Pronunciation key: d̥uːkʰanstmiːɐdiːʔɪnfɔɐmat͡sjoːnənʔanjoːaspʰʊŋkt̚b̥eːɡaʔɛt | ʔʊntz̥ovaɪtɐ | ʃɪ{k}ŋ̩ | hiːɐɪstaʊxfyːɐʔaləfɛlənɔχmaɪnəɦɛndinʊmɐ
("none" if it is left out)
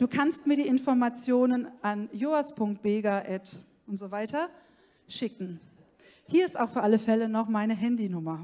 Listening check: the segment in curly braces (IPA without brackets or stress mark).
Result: k